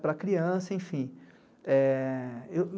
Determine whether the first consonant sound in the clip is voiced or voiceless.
voiceless